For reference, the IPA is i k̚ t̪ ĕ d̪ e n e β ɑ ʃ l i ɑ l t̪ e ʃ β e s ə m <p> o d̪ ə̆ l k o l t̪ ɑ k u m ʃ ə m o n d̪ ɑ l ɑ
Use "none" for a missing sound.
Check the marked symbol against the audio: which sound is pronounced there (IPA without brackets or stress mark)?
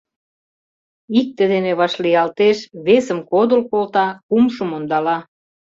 k